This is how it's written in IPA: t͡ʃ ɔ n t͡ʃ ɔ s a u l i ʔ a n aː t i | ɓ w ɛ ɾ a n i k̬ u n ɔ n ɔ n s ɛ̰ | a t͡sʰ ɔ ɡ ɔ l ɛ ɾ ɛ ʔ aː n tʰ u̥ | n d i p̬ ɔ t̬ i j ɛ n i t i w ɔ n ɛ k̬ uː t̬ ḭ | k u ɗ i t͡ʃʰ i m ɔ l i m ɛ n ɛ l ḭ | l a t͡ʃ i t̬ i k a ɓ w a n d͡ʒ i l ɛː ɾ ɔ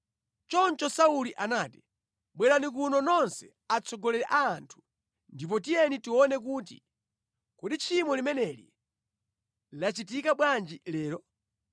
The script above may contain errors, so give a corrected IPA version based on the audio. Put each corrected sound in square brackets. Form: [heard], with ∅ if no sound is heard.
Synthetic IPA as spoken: t͡ʃ ɔ n t͡ʃ ɔ s a u l i ʔ a n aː t i | ɓ w ɛ ɾ a n i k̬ u n ɔ n ɔ n s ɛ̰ | a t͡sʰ ɔ ɡ ɔ l ɛ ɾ ɛ ʔ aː n tʰ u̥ | n d i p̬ ɔ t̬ i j ɛ n i t i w ɔ n ɛ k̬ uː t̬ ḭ | k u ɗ i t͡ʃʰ i m ɔ l i m ɛ n ɛ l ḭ | l a t͡ʃ i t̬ i k a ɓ w a n d͡ʒ i l ɛː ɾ ɔ